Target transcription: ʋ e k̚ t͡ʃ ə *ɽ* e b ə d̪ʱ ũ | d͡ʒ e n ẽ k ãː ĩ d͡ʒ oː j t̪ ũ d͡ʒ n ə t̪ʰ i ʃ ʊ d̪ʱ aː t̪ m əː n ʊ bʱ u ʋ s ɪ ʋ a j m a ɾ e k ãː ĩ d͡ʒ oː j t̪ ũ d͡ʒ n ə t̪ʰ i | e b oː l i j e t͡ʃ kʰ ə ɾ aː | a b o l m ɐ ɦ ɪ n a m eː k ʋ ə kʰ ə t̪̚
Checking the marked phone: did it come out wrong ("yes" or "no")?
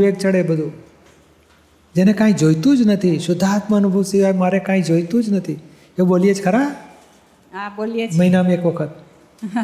no